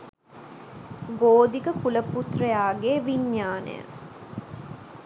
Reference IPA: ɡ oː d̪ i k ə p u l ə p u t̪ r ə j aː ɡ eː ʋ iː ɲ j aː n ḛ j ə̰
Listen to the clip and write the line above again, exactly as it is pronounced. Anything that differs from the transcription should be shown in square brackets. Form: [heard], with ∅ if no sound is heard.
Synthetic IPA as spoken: ɡ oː d̪ i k ə [k] u l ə p u t̪ r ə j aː ɡ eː ʋ [i] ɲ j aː n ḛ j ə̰